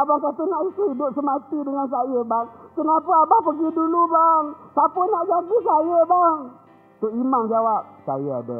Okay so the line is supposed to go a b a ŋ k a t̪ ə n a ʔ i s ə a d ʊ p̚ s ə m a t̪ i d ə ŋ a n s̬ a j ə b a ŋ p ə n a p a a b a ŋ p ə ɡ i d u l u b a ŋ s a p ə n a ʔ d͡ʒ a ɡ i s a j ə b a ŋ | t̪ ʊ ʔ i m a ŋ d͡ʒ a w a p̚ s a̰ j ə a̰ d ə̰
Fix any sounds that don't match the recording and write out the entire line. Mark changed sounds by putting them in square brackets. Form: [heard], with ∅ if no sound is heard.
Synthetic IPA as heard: a b a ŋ k a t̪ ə n a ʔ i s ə [i] d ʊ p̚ s ə m a t̪ i d ə ŋ a n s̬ a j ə b a ŋ [k] ə n a p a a b a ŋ p ə ɡ i d u l u b a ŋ s a p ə n a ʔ d͡ʒ a ɡ i s a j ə b a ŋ | t̪ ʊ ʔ i m a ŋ d͡ʒ a w a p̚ s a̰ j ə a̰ d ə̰